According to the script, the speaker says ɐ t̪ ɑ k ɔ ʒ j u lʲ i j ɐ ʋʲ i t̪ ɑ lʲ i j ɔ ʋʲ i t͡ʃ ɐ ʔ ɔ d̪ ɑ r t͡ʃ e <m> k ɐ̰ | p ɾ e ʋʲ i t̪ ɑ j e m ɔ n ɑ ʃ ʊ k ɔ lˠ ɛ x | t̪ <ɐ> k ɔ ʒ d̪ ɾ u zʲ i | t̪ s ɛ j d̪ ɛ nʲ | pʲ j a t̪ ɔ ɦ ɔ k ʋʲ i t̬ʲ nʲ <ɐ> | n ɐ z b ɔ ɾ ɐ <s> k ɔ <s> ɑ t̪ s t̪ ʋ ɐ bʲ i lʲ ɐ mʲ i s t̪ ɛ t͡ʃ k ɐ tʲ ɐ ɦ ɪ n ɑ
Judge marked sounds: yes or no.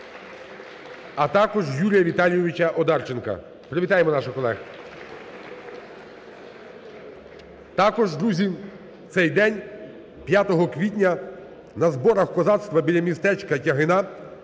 no, no, yes, no, no

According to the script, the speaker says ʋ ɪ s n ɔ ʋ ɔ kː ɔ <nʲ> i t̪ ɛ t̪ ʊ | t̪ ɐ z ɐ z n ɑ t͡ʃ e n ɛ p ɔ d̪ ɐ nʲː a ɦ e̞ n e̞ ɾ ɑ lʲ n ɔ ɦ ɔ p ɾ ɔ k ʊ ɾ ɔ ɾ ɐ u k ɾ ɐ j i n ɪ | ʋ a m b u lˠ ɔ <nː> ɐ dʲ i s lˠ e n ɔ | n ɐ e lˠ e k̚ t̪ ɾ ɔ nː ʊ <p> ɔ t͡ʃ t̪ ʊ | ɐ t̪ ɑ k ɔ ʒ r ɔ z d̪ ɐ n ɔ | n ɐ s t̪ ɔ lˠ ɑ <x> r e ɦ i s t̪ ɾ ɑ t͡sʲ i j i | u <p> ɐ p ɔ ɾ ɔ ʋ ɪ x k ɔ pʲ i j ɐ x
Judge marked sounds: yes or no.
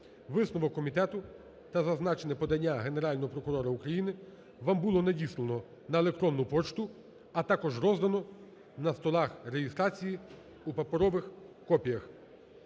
no, no, yes, yes, yes

